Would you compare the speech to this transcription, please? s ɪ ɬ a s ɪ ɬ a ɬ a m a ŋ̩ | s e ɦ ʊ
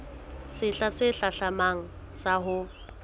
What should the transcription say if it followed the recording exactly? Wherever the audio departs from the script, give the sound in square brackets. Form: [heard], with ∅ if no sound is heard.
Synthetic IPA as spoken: s ɪ ɬ a s ɪ ɬ a ɬ a m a ŋ̩ | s [a] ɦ ʊ